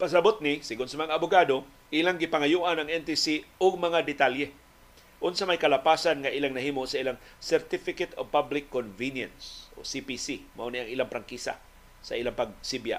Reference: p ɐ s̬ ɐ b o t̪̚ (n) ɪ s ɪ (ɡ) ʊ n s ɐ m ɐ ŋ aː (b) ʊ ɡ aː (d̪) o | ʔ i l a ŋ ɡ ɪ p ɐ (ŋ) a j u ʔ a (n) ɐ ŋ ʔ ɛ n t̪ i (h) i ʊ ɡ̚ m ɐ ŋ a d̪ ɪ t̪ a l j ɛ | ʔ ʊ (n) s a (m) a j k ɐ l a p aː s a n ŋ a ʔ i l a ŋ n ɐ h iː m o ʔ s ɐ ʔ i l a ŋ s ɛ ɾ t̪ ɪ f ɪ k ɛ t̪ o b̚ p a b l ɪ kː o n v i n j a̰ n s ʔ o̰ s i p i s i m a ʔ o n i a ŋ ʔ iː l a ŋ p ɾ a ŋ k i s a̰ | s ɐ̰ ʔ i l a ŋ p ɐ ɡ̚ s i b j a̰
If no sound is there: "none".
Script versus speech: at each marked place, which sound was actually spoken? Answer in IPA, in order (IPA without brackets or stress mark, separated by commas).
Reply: n, ɡ, b, d̪, ŋ, n, s, n, m